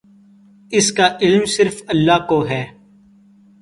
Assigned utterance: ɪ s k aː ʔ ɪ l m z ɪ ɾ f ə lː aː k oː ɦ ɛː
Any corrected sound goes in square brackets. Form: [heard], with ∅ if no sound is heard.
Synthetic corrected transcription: ɪ s k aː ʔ ɪ l m [s] ɪ ɾ f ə lː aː k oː ɦ ɛː